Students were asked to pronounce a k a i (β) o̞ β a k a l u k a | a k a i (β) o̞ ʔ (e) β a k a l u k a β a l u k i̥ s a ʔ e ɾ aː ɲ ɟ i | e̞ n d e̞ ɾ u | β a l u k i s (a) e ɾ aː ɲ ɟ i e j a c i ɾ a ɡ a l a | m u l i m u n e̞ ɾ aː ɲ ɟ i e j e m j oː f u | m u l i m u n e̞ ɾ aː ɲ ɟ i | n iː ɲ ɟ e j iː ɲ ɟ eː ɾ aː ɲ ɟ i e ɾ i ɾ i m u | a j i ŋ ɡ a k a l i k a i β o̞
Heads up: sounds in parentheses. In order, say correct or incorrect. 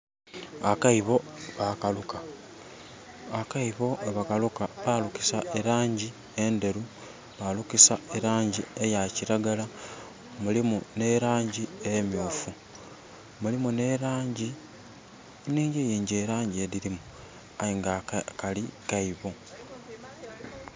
correct, correct, correct, correct

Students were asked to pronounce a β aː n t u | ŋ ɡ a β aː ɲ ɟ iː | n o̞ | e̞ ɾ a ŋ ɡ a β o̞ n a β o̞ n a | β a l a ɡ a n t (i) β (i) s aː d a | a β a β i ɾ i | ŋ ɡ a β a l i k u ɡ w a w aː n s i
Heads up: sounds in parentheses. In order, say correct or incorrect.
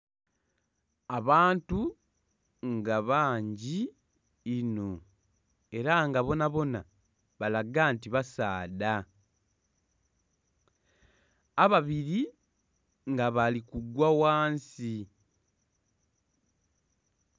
correct, incorrect: a

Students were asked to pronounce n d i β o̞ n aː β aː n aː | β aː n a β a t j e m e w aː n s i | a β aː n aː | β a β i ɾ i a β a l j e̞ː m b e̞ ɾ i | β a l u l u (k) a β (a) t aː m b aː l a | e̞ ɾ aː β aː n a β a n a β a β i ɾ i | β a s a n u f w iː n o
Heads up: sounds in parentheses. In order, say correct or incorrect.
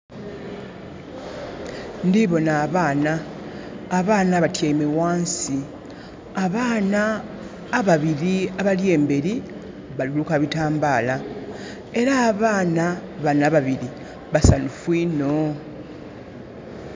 correct, incorrect: i

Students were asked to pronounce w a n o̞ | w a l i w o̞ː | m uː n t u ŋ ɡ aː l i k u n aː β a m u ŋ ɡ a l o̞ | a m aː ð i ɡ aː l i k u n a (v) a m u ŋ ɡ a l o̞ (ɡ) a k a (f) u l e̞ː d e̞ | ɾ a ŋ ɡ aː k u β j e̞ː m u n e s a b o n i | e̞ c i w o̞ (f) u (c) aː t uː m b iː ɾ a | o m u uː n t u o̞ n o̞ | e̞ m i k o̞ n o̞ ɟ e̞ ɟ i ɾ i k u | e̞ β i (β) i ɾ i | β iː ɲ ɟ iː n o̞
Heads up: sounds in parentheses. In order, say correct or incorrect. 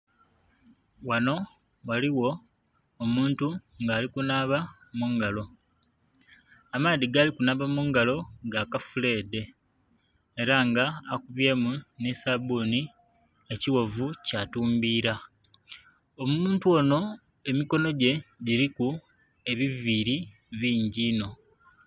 incorrect: β, correct, correct, incorrect: v, correct, incorrect: v

